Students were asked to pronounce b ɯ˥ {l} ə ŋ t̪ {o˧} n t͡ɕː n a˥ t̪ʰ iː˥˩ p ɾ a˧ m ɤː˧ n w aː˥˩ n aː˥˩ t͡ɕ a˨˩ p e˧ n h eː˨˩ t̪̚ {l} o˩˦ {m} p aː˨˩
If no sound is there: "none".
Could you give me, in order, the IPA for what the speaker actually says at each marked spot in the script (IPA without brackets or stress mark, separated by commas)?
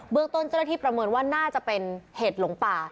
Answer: none, o˥˩, l, ŋ